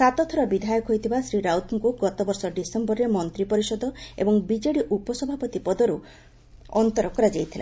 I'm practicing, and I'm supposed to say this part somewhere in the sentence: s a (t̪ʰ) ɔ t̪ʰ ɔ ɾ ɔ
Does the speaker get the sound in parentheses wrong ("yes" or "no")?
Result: yes